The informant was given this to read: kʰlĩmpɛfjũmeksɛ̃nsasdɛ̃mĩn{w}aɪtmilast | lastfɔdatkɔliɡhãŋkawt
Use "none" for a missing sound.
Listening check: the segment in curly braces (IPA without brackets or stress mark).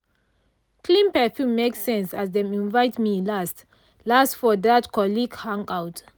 v